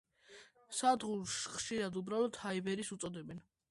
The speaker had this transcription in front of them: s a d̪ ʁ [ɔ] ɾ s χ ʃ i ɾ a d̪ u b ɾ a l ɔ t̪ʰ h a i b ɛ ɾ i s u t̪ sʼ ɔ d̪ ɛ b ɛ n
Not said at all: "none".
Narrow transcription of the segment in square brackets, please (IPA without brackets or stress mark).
u